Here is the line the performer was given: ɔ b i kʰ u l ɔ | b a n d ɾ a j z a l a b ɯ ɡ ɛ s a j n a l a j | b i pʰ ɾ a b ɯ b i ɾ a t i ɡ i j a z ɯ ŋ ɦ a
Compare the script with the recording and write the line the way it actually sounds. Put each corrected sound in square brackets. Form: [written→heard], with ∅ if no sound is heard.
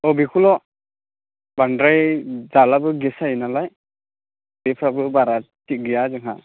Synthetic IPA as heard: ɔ b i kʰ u l ɔ | b a n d ɾ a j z a l a b ɯ ɡ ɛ s a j n a l a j | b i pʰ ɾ a b ɯ b [i→a] ɾ a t i ɡ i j a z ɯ ŋ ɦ a